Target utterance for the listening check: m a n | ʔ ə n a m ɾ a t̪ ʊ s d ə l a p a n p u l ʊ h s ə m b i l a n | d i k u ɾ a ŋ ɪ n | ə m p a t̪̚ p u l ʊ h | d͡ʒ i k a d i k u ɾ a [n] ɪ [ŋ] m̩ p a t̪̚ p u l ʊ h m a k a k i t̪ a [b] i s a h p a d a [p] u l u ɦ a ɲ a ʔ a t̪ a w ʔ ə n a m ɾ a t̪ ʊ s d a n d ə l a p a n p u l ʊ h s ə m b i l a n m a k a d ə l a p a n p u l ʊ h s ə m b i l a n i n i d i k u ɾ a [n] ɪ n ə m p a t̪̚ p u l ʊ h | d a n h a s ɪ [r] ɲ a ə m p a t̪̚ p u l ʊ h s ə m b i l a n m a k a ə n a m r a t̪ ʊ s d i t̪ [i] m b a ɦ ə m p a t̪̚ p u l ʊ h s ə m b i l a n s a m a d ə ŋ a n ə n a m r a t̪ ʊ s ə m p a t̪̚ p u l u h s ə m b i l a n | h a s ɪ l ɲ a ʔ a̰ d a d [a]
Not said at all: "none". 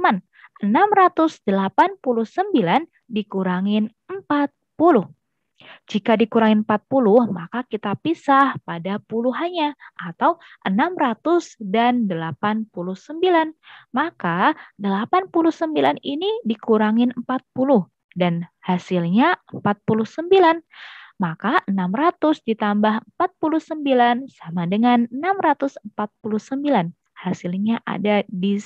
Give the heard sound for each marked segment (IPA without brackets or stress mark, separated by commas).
ŋ, n, p, p, ŋ, l, a, i